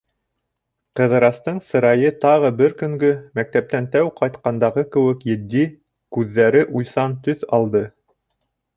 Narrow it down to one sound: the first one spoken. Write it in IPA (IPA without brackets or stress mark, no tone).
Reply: q